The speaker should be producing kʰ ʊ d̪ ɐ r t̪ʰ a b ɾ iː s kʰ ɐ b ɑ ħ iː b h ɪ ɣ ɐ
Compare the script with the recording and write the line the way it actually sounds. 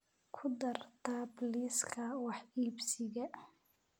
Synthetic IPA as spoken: kʰ ʊ d̪ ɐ r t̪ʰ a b l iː s kʰ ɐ w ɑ ħ iː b s ɪ ɣ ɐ